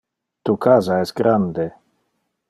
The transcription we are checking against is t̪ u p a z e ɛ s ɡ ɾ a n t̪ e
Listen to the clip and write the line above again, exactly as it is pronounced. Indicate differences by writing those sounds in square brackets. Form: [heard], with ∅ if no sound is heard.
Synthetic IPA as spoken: t̪ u [k] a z [a] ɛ s ɡ ɾ a n [d̪] e